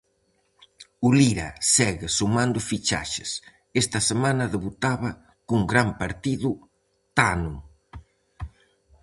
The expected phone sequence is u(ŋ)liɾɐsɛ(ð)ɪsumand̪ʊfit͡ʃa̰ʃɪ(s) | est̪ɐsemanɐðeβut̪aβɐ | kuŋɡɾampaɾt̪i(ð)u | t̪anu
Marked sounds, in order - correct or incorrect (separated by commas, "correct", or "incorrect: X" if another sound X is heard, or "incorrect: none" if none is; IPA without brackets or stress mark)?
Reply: incorrect: none, incorrect: ɣ, correct, correct